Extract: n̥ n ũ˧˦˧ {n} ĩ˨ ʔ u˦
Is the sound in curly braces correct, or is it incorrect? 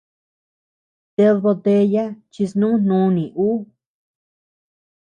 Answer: correct